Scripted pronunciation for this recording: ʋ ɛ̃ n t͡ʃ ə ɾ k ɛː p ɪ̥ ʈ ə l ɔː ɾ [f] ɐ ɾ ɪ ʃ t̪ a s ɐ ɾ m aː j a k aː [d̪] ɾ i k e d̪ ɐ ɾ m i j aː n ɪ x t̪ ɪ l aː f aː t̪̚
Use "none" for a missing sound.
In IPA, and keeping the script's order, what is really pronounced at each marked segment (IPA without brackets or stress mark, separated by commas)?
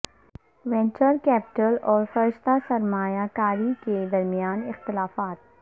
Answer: f, none